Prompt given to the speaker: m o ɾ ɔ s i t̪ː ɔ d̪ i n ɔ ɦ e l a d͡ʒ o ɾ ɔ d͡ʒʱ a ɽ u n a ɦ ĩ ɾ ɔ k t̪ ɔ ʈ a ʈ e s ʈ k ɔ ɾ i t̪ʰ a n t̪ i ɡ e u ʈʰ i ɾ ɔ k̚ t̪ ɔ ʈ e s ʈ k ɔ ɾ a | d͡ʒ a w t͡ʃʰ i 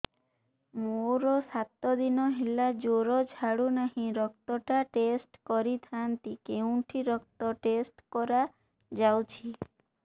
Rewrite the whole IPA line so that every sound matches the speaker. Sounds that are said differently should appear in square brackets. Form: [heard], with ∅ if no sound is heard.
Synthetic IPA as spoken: m o ɾ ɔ s [a] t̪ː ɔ d̪ i n ɔ ɦ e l a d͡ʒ o ɾ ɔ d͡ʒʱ a ɽ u n a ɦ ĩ ɾ ɔ k t̪ ɔ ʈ a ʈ e s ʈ k ɔ ɾ i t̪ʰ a n t̪ i [k] e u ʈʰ i ɾ ɔ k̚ t̪ ɔ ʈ e s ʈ k ɔ ɾ a | d͡ʒ a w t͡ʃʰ i